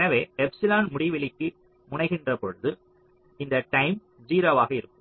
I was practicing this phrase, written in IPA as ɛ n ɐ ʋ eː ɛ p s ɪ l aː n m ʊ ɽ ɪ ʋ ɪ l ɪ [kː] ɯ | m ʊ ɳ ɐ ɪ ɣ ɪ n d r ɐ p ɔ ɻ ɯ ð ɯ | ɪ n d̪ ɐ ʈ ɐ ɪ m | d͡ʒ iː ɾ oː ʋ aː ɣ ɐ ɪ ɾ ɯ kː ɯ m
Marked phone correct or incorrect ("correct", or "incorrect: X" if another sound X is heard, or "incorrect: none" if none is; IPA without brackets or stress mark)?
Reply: correct